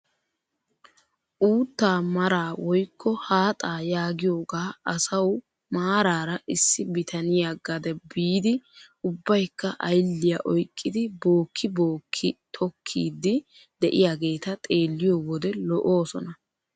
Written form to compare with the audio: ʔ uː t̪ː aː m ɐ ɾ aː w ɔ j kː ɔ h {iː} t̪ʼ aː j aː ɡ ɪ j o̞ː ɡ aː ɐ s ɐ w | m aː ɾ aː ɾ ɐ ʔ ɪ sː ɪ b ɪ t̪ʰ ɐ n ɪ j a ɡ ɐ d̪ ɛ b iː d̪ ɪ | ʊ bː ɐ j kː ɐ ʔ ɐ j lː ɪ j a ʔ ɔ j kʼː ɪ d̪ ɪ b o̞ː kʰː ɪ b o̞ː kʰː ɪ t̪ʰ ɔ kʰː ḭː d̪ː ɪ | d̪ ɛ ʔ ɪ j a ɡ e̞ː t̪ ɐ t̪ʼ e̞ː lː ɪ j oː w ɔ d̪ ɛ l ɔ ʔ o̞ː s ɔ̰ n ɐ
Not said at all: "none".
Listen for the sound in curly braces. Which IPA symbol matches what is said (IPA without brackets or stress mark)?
aː